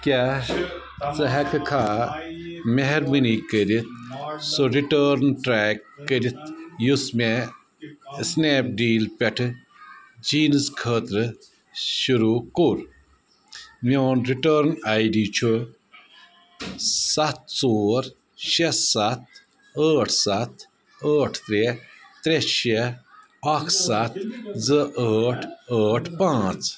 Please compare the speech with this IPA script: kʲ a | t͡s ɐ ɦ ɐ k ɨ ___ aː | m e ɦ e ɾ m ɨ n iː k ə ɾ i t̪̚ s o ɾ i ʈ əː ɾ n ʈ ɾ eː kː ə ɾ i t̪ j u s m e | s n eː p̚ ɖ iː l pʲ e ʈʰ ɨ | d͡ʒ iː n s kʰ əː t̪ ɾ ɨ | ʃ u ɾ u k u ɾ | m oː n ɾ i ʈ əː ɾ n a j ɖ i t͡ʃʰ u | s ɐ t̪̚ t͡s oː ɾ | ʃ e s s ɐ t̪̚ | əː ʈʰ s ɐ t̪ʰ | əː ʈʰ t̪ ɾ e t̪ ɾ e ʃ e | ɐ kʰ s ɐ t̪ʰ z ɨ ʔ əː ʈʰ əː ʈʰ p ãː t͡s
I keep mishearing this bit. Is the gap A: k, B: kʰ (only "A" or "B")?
B